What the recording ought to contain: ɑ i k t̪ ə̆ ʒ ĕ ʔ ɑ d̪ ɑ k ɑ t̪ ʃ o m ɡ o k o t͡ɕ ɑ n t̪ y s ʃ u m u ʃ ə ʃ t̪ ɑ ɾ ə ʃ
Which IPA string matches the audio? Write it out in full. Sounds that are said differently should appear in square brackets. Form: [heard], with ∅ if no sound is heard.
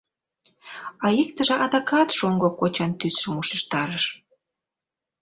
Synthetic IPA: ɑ i k t̪ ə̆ ʒ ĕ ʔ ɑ d̪ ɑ k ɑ t̪ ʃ o [ŋ] ɡ o k o t͡ɕ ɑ n t̪ y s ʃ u m u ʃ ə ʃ t̪ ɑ ɾ ə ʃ